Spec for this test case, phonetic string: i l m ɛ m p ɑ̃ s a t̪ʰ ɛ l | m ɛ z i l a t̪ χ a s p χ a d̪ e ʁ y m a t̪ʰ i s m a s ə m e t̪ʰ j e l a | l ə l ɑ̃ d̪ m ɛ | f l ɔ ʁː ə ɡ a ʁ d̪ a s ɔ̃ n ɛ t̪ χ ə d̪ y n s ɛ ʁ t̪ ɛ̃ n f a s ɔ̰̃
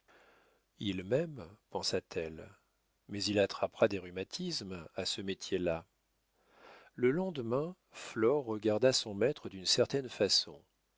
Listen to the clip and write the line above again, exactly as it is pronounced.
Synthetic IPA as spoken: i l m ɛ m p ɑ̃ s a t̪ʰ ɛ l | m ɛ z i l a t̪ χ a p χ a d̪ e ʁ y m a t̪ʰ i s m a s ə m e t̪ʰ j e l a | l ə l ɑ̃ d̪ m ɛ̃ | f l ɔ ʁː ə ɡ a ʁ d̪ a s ɔ̃ m ɛ t̪ χ ə d̪ y n s ɛ ʁ t̪ ɛ n f a s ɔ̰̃